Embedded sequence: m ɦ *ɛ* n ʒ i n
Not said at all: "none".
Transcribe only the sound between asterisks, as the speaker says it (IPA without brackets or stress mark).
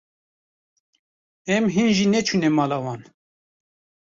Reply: i